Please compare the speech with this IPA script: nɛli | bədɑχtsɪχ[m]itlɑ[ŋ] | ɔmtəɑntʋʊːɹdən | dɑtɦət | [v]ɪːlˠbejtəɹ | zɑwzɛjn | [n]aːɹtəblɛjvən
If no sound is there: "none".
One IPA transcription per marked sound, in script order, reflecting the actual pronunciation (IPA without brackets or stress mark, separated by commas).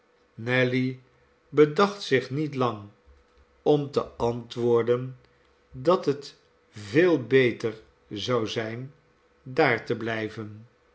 n, ŋ, v, d